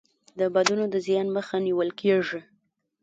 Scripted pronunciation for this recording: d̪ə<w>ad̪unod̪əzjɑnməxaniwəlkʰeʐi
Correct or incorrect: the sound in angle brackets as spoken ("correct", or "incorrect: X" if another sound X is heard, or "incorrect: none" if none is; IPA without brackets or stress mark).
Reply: incorrect: b